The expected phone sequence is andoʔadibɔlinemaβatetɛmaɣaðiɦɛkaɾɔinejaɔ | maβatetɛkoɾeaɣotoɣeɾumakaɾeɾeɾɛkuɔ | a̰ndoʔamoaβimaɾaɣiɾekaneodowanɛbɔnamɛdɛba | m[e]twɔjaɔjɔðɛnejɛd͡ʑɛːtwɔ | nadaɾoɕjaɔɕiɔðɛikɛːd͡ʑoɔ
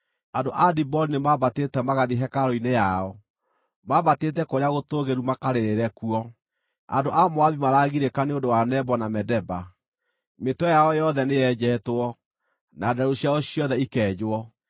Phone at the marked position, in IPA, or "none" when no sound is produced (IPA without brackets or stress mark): e